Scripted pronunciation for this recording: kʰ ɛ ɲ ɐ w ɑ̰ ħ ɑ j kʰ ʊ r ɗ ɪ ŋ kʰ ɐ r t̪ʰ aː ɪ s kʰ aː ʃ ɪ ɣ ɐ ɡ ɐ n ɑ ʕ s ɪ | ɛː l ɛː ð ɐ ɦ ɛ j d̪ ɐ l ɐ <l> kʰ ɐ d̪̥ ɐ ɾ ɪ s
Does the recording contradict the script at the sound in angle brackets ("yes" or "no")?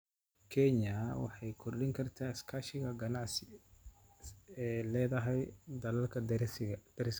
no